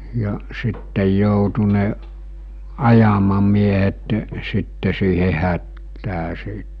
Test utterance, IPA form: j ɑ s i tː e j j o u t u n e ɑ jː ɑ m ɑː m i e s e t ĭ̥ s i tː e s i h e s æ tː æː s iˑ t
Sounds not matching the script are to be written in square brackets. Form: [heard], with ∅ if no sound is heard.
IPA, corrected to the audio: j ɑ s i tː e j j o u t u n e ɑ [j] ɑ m [ɑ] m i e [h] e t [ĕ̥] s i tː e s [iː] h e [h] æ tː æː s iˑ t